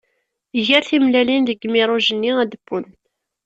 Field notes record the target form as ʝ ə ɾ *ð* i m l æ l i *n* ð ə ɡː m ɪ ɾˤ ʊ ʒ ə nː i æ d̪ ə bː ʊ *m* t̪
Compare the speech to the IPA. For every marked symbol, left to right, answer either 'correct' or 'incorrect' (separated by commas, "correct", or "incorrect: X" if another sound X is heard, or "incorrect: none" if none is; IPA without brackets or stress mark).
incorrect: θ, correct, incorrect: n